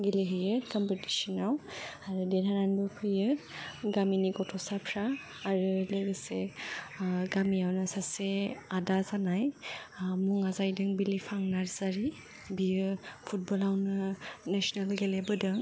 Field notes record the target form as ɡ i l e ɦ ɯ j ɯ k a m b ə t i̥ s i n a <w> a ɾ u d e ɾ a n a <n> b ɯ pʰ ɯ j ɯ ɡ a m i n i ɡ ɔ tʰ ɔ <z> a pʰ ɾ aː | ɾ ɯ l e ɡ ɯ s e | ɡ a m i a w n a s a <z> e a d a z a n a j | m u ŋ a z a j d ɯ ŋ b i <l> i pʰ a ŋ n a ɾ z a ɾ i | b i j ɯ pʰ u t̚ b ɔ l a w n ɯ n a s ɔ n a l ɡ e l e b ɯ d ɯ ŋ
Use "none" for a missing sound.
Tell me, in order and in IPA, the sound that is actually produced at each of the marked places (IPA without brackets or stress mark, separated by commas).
w, n, s, s, l